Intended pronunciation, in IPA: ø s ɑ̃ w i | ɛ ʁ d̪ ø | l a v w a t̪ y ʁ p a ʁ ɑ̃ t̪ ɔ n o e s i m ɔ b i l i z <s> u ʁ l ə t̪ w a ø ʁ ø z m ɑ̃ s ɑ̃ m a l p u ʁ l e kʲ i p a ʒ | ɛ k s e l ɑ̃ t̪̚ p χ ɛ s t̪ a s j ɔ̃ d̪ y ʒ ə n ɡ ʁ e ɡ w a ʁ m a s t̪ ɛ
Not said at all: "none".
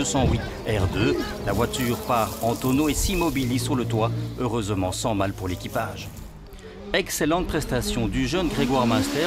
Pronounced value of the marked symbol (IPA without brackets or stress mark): s